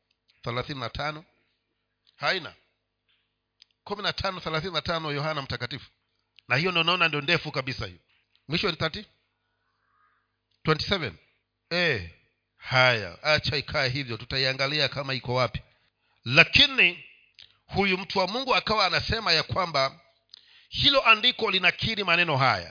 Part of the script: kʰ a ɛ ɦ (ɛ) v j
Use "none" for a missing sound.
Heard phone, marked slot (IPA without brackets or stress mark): i